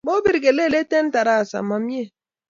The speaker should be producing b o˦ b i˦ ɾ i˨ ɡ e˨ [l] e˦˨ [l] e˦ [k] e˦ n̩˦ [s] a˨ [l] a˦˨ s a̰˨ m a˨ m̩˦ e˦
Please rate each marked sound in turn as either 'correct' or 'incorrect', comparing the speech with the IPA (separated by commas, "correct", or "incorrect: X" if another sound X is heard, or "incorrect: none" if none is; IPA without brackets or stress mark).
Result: correct, correct, incorrect: t, incorrect: t, incorrect: ɾ